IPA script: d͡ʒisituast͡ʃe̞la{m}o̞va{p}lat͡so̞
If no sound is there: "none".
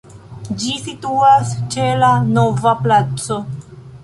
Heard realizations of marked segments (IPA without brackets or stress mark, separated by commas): n, p